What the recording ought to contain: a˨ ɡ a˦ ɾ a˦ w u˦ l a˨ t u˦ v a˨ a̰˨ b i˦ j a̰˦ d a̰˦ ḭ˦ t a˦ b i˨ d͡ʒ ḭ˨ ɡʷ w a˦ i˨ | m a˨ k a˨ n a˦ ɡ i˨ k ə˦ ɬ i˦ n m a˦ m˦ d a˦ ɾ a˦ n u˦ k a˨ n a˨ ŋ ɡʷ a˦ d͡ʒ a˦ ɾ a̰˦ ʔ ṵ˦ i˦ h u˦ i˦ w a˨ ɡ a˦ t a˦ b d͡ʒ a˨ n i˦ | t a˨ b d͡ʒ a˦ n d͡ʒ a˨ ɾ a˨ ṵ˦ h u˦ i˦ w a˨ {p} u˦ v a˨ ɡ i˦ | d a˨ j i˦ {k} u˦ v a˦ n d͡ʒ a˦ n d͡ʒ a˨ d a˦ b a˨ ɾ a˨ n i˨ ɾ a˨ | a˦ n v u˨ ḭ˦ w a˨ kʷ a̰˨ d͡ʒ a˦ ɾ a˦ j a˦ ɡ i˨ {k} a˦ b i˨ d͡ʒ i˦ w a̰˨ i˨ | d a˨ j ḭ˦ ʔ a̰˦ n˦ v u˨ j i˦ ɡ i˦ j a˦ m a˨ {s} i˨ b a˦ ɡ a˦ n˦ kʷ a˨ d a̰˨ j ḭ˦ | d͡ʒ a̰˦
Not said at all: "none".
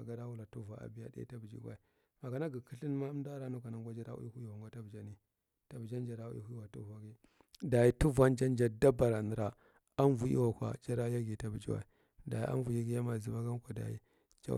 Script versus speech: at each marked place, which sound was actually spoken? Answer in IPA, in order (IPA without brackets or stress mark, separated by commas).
t, t, t, z